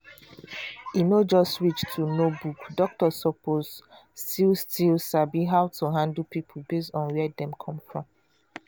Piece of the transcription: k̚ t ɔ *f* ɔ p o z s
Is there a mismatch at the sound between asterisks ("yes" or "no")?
yes